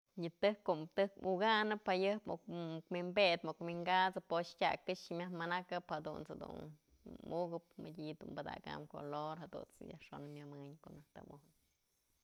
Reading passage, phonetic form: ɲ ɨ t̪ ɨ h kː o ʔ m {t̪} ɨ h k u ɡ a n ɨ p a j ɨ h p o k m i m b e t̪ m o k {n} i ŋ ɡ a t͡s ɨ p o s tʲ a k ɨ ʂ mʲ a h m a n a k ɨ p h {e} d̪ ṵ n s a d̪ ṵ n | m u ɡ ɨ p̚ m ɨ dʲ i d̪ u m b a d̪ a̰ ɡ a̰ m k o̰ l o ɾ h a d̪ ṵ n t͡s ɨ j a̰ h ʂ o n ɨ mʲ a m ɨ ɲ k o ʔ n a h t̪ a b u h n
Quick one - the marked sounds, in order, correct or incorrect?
correct, incorrect, incorrect

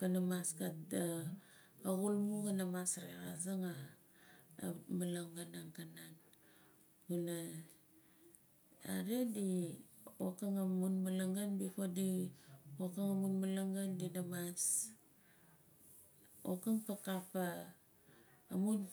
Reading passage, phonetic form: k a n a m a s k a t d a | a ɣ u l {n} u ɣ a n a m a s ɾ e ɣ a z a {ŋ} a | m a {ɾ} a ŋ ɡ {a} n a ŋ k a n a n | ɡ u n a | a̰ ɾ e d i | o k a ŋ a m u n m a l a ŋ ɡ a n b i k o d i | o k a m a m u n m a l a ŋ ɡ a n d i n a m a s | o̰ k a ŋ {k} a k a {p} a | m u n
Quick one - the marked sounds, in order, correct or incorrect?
incorrect, correct, incorrect, correct, incorrect, correct

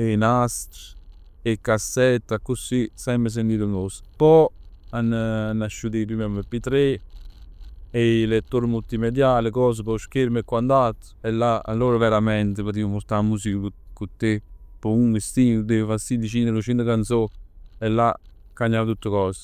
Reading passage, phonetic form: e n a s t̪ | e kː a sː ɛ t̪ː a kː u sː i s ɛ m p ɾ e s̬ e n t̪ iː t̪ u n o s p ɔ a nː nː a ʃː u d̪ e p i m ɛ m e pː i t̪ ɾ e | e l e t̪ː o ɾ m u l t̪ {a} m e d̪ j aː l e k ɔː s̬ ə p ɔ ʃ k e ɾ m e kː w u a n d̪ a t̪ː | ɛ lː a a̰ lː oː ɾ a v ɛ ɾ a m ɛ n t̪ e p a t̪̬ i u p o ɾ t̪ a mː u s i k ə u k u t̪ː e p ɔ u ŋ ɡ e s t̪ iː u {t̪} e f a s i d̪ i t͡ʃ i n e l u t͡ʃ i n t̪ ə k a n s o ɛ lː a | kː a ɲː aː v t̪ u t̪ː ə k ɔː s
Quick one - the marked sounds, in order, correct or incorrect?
incorrect, incorrect

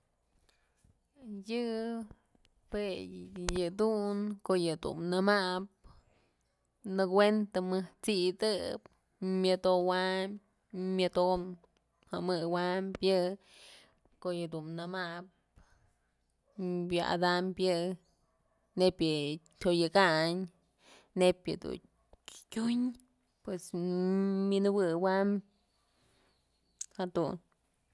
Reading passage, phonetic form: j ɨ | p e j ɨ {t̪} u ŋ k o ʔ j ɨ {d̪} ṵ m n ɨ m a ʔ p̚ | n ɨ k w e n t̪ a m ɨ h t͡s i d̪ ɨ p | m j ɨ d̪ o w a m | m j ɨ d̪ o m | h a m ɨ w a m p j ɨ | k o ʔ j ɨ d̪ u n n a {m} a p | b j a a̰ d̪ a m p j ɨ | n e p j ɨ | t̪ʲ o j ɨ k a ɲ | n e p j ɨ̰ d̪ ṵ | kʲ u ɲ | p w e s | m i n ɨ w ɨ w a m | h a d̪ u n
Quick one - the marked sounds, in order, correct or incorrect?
incorrect, correct, correct

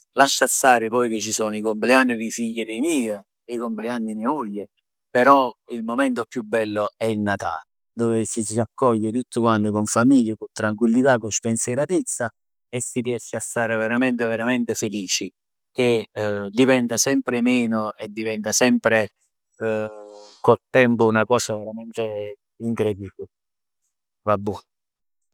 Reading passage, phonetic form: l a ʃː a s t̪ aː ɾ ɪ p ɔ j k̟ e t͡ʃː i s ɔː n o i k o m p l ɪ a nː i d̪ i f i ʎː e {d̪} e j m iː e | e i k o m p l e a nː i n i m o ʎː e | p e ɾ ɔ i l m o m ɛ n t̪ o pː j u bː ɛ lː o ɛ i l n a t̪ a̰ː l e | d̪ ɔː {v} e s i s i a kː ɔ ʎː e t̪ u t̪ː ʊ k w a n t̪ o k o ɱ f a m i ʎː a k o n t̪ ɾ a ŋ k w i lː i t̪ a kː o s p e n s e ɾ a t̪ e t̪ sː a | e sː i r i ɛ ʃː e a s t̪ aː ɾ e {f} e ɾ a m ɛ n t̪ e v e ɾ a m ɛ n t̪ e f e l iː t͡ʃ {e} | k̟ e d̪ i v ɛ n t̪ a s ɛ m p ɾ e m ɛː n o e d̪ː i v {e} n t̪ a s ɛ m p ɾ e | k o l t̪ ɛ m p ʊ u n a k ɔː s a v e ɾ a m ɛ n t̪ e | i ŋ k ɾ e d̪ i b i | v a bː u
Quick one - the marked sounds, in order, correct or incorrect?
correct, correct, incorrect, incorrect, incorrect

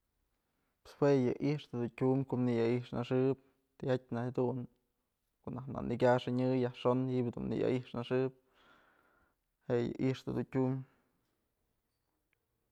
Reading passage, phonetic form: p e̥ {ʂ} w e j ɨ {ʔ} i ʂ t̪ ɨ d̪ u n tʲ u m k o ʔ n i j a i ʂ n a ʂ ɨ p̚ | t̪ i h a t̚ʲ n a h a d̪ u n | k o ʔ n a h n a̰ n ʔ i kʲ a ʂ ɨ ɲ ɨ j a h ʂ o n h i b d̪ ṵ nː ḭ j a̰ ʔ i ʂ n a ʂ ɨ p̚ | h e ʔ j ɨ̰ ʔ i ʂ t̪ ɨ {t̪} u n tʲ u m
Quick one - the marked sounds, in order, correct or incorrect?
incorrect, correct, incorrect

